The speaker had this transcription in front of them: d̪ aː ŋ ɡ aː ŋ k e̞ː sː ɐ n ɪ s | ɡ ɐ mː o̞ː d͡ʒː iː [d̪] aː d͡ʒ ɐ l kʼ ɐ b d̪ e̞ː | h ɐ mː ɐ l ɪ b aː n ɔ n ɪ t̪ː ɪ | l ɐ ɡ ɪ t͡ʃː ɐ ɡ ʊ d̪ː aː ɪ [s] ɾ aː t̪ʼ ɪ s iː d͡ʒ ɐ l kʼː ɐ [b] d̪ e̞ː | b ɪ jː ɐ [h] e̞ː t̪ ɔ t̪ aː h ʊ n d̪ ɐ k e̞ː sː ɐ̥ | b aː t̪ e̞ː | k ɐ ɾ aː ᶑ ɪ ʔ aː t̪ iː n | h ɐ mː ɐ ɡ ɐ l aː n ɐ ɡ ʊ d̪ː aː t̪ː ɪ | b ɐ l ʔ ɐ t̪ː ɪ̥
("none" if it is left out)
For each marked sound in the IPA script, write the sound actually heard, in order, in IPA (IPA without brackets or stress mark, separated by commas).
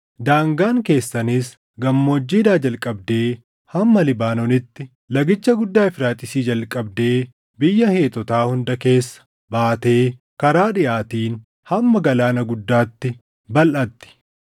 d̪, f, b, h